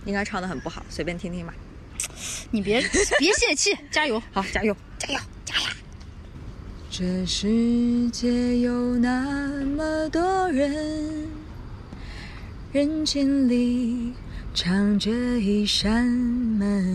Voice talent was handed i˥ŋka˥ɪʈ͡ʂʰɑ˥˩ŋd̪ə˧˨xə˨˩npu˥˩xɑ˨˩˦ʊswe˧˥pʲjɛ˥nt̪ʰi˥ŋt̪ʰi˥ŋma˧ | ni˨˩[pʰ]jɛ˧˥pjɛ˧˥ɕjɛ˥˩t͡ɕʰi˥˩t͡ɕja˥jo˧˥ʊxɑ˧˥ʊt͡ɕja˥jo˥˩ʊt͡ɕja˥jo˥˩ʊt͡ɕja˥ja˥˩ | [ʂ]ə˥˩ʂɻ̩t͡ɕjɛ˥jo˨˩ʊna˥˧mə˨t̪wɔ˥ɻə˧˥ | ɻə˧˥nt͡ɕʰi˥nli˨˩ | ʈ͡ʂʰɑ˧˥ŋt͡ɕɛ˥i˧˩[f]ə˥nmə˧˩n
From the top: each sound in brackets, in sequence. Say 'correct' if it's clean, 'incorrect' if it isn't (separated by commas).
incorrect, incorrect, incorrect